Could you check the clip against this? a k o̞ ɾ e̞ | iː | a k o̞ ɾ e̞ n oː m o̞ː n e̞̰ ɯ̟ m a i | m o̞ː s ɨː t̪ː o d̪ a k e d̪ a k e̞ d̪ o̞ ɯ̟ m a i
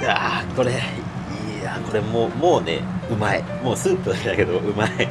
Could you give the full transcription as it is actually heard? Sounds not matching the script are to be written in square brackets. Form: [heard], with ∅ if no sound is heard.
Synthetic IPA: a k o̞ ɾ e̞ | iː | a k o̞ ɾ e̞ [m] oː m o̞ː n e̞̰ ɯ̟ m a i | m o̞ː s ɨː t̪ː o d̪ a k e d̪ a k e̞ d̪ o̞ ɯ̟ m a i

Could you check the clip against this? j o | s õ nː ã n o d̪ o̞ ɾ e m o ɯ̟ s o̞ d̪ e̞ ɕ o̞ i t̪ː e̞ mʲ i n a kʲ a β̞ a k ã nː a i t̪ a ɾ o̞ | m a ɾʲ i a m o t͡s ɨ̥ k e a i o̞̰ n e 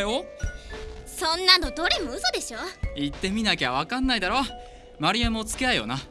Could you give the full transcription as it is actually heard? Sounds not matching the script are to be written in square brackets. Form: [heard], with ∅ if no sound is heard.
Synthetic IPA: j o | s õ nː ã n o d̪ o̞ ɾ e m o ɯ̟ s o̞ d̪ e̞ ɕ o̞ i t̪ː e̞ mʲ i n a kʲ a β̞ a k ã nː a i [d̪] a ɾ o̞ | m a ɾʲ i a m o t͡s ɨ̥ k e a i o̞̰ n [a]

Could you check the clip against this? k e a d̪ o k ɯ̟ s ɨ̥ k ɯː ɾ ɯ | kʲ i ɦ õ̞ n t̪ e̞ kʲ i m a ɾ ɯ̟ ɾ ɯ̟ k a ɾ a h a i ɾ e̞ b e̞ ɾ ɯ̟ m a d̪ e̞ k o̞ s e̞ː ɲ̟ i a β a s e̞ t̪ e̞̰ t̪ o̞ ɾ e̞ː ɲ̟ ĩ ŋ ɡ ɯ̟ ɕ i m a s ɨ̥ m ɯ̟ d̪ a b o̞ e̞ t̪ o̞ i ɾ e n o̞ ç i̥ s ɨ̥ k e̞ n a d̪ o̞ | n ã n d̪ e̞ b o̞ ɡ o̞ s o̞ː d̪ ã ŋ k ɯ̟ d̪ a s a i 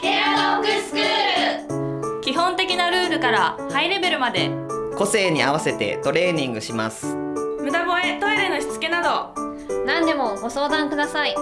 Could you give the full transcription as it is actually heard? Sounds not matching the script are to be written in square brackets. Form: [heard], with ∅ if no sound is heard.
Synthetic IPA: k e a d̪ o k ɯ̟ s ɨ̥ k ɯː ɾ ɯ | kʲ i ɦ õ̞ n t̪ e̞ kʲ i [n] a ɾ [ɯ̟ː] ɾ ɯ̟ k a ɾ a h a i ɾ e̞ b e̞ ɾ ɯ̟ m a d̪ e̞ k o̞ s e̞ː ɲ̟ i a β a s e̞ t̪ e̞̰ t̪ o̞ ɾ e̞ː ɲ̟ ĩ ŋ ɡ ɯ̟ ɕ i m a s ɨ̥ m ɯ̟ d̪ a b o̞ e̞ t̪ o̞ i ɾ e n o̞ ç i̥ [t͡s] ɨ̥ k e̞ n a d̪ o̞ | n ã n d̪ e̞ [m] o̞ ɡ o̞ s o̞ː d̪ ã ŋ k ɯ̟ d̪ a s a i

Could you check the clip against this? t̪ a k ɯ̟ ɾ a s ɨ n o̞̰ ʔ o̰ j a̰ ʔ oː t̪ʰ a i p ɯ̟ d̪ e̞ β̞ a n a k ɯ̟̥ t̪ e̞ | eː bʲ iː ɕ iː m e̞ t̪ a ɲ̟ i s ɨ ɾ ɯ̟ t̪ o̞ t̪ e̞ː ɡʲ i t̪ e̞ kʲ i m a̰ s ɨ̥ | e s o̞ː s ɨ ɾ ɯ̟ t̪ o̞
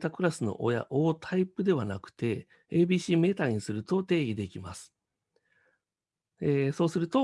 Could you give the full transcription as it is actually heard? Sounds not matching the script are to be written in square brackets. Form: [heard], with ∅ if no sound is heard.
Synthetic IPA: t̪ a k ɯ̟ ɾ a s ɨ n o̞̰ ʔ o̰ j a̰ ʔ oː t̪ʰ a i p ɯ̟ d̪ e̞ β̞ a n a k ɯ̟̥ t̪ e̞ | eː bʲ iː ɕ iː m e̞ t̪ a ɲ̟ i s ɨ ɾ ɯ̟ t̪ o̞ t̪ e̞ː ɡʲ i [d̪] e̞ kʲ i m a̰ s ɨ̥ | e s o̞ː s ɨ ɾ ɯ̟ t̪ o̞

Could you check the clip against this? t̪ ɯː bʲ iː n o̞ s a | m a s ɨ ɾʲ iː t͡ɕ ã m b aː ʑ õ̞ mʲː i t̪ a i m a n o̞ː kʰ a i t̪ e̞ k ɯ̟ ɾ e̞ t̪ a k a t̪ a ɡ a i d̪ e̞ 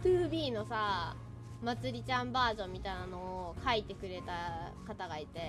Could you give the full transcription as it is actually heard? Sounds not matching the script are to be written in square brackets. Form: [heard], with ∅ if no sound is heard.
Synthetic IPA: t̪ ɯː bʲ iː n o̞ s a | m a [t͡s] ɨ ɾʲ [i] t͡ɕ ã m b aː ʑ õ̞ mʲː i t̪ a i [n] a n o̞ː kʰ a i t̪ e̞ k ɯ̟ ɾ e̞ t̪ a k a t̪ a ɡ a i [t̪] e̞

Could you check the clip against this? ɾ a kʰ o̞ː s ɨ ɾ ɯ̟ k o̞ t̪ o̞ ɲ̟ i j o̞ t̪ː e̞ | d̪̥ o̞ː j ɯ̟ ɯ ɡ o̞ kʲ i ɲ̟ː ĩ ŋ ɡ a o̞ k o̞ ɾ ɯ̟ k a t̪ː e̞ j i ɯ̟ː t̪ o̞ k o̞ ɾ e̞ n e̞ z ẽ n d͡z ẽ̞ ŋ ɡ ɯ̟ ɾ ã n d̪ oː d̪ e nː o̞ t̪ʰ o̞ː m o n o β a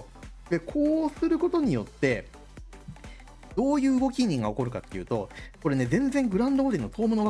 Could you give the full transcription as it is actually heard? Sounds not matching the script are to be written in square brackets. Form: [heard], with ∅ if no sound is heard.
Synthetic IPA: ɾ [e] kʰ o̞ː s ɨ ɾ ɯ̟ k o̞ t̪ o̞ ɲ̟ i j o̞ t̪ː e̞ | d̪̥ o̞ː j [ɯ̟ː] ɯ ɡ o̞ kʲ i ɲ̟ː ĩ ŋ ɡ a o̞ k o̞ ɾ ɯ̟ k a t̪ː e̞ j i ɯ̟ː t̪ o̞ k o̞ ɾ e̞ n e̞ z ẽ n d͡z ẽ̞ ŋ ɡ ɯ̟ ɾ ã n d̪ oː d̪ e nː o̞ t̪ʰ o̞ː m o n o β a

